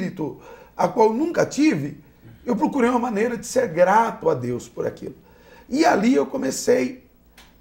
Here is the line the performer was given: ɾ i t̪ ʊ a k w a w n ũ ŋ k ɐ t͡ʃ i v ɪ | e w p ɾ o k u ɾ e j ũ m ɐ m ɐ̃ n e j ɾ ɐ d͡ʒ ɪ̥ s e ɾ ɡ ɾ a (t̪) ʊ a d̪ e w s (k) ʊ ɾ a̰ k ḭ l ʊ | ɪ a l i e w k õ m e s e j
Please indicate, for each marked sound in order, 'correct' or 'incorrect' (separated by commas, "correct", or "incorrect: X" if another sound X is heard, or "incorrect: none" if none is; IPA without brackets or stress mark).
correct, incorrect: p